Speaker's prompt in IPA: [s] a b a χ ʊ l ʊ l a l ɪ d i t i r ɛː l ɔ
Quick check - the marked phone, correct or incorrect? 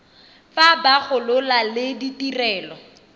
incorrect